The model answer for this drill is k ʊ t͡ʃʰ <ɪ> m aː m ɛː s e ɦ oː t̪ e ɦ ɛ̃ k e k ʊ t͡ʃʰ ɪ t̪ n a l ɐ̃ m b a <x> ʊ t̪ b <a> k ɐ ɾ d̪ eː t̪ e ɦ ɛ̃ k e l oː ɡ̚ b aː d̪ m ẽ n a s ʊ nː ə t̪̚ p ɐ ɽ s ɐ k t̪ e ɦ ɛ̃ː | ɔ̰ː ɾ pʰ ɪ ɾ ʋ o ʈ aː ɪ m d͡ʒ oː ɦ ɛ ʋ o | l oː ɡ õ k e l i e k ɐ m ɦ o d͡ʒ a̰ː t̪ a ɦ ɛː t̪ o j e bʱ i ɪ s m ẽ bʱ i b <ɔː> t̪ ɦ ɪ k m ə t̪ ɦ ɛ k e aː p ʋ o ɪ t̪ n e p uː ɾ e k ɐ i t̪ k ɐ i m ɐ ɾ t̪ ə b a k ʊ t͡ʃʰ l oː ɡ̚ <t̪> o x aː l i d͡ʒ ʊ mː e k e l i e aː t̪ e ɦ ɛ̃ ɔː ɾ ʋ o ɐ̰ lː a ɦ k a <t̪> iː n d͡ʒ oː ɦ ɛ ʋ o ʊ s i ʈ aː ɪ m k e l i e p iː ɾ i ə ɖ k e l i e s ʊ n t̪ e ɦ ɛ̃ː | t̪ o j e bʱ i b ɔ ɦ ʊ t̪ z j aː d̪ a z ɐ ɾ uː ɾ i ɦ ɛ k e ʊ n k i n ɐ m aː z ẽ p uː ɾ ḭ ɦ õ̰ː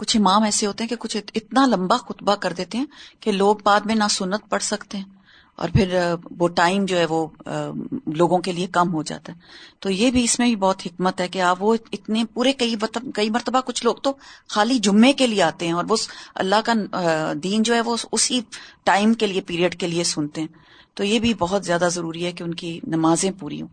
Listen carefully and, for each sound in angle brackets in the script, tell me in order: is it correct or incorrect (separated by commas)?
correct, correct, correct, correct, correct, incorrect